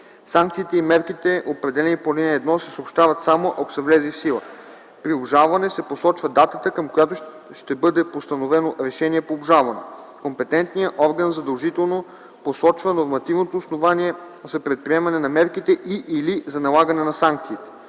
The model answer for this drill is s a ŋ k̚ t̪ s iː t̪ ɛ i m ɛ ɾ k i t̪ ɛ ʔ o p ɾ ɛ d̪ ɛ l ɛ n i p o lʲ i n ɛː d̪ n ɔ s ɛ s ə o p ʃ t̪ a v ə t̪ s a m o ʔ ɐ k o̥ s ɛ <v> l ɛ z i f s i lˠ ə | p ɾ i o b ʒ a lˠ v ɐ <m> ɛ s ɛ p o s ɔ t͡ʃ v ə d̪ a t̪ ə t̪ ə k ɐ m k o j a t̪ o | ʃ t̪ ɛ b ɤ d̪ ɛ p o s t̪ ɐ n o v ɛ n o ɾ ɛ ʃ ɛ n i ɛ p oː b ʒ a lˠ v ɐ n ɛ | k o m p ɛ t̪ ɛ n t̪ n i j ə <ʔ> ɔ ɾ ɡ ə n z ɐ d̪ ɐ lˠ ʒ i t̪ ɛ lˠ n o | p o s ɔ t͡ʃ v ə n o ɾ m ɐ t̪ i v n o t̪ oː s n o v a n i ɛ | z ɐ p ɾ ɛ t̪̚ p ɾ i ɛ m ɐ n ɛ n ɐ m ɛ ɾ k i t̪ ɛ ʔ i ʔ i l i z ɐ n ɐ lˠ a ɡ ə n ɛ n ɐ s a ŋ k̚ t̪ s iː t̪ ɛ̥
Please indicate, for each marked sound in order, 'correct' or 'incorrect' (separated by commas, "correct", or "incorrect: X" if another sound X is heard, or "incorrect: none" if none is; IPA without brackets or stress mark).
correct, incorrect: n, correct